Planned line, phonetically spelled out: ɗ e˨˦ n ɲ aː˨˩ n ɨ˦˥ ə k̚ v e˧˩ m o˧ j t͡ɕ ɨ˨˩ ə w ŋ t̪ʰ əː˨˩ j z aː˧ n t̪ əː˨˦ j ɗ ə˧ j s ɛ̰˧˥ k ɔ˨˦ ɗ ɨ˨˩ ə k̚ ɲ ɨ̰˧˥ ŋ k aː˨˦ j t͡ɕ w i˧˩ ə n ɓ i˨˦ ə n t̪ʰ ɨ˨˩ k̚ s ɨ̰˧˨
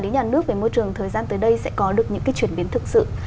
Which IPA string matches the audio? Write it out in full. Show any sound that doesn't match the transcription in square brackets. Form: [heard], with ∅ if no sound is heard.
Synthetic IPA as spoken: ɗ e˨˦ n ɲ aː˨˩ n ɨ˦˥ ə k̚ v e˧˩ m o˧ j t͡ɕ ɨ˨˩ ə [∅] ŋ t̪ʰ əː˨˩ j z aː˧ n t̪ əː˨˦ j ɗ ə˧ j s ɛ̰˧˥ k ɔ˨˦ ɗ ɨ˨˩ ə k̚ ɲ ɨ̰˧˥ ŋ k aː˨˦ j t͡ɕ w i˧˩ ə n ɓ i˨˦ ə n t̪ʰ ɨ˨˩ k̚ s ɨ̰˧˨